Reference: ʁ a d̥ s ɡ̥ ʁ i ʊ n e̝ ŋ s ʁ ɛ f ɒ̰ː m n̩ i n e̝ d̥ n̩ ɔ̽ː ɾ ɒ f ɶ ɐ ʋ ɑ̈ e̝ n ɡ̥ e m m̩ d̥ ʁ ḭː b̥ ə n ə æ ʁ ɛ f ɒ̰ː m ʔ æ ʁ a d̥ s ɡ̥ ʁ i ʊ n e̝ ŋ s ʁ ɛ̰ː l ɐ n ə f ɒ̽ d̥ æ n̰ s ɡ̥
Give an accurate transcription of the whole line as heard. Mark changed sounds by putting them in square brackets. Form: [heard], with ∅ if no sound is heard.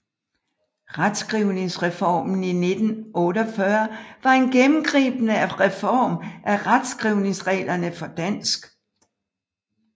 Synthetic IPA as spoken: ʁ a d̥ s ɡ̥ ʁ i ʊ n e̝ ŋ s ʁ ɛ f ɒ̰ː m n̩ i n e̝ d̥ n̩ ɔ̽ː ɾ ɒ f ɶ ɐ ʋ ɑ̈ e̝ n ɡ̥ e m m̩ [ɡ̥] ʁ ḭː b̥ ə n ə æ ʁ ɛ f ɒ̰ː m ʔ æ ʁ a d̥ s ɡ̥ ʁ i ʊ n e̝ ŋ s ʁ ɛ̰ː l ɐ n ə f ɒ̽ d̥ æ n̰ s ɡ̥

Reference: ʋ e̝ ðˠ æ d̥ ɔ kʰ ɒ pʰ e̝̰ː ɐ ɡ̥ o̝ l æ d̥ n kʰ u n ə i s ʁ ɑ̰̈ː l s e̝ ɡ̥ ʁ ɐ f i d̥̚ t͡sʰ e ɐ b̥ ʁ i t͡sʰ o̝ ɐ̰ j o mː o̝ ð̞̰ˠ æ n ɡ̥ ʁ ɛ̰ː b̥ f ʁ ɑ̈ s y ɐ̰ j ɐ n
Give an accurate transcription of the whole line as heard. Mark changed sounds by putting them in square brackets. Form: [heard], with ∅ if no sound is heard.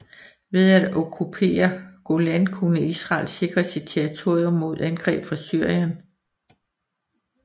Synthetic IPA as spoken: ʋ e̝ ðˠ æ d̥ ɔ kʰ [u] pʰ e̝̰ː ɐ ɡ̥ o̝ l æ [∅] n kʰ u n ə i s ʁ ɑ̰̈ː l s e̝ ɡ̥ ʁ ɐ [s] i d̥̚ t͡sʰ e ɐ [∅] ʁ i t͡sʰ o̝ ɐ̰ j o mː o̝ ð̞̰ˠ æ n ɡ̥ ʁ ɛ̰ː b̥ f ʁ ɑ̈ s y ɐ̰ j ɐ n

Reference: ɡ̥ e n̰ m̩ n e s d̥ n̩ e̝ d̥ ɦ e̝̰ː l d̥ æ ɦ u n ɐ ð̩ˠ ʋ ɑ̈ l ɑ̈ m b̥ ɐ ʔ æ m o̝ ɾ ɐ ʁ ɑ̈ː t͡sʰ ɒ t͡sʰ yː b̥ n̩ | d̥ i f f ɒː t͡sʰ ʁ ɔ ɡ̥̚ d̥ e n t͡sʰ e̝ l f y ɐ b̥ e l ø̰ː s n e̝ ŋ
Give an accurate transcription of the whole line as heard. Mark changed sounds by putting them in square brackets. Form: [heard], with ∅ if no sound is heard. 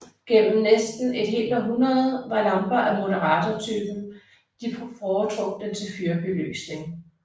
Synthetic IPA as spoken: ɡ̥ e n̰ m̩ n e s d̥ n̩ e̝ d̥ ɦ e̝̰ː l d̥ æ ɦ u n ɐ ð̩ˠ ʋ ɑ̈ l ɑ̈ m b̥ ɐ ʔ æ m o̝ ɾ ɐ ʁ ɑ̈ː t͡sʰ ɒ t͡sʰ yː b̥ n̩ | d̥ i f f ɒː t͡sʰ ʁ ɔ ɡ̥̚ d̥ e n t͡sʰ e̝ l f y ɐ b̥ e l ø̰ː s n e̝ ŋ

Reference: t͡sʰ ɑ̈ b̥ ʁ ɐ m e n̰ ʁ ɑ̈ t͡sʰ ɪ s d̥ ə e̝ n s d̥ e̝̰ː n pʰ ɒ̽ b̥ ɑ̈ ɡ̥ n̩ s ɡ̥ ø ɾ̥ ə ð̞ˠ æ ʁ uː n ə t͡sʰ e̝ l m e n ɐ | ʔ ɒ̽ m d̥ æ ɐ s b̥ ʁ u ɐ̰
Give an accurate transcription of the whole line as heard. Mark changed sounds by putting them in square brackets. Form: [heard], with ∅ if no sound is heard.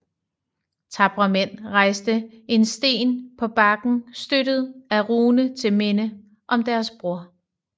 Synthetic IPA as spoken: t͡sʰ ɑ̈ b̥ ʁ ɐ m e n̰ ʁ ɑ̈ [∅] ɪ s d̥ ə e̝ n s d̥ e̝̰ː n pʰ ɒ̽ b̥ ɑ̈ ɡ̥ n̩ s [d̥] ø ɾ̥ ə ð̞ˠ æ ʁ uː n ə t͡sʰ e̝ l m e n [ə] | ʔ ɒ̽ m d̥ æ ɐ s b̥ ʁ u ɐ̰

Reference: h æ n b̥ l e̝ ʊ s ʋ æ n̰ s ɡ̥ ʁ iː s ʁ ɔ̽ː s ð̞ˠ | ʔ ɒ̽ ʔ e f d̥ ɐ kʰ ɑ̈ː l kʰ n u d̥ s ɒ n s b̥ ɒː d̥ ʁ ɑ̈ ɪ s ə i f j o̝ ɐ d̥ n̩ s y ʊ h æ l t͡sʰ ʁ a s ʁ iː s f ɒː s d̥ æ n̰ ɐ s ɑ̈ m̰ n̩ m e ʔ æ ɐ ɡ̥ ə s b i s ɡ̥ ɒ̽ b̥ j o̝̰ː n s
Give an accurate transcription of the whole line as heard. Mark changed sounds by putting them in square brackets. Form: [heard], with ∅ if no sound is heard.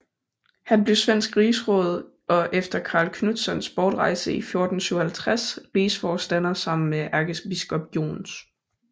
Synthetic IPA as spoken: h æ n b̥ l e̝ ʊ s ʋ [e] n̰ s ɡ̥ ʁ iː s ʁ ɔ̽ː [∅] ð̞ˠ | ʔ ɒ̽ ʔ e f d̥ ɐ kʰ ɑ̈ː l kʰ n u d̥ s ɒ n s b̥ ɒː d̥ ʁ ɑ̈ ɪ s ə i f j o̝ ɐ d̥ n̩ s y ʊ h æ l t͡sʰ ʁ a s ʁ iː s f ɒː s d̥ æ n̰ ɐ s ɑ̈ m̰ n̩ m e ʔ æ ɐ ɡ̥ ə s b i s ɡ̥ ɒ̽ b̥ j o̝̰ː n s

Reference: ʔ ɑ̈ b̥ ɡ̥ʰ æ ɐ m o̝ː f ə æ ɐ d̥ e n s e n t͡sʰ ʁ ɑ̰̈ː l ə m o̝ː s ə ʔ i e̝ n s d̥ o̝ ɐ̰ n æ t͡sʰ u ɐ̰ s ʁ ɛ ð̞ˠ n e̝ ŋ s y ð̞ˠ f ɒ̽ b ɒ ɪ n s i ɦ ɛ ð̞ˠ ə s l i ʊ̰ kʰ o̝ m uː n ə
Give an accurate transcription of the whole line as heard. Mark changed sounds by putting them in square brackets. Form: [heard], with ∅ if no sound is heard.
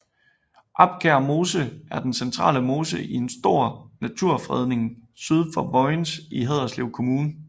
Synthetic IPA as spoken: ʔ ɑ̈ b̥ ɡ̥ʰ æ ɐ m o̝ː [s] ə æ ɐ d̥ e n s e n t͡sʰ ʁ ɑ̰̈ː l ə m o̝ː s ə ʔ i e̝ n s d̥ o̝ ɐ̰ n æ t͡sʰ u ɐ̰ [f] ʁ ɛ ð̞ˠ n e̝ ŋ s y ð̞ˠ f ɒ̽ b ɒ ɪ n s i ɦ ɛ ð̞ˠ [ɐ] s l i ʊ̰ kʰ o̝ m uː n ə

